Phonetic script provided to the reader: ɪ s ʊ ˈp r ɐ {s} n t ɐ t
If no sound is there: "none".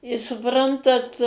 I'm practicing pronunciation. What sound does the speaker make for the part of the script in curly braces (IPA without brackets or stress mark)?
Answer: none